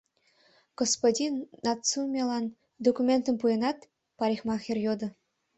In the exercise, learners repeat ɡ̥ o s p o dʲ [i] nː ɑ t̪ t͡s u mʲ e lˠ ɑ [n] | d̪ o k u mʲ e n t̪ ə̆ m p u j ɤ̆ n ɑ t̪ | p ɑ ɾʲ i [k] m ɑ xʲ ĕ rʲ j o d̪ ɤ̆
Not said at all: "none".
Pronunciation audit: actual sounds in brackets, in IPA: i, n, x

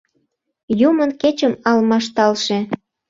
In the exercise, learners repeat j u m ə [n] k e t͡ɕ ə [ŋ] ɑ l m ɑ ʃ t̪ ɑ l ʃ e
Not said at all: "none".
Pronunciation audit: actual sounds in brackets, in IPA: n, m

